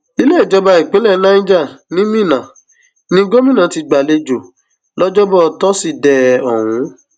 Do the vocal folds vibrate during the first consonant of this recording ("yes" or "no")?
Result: yes